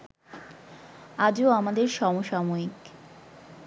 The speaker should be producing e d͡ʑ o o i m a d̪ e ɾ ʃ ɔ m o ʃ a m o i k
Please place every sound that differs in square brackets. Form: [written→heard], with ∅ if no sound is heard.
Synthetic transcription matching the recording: [e→a] d͡ʑ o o [i→a] m a d̪ e ɾ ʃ ɔ m o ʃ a m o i k